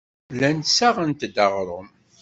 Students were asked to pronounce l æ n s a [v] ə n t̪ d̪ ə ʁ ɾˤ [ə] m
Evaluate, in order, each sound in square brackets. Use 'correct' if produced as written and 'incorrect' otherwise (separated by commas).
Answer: incorrect, correct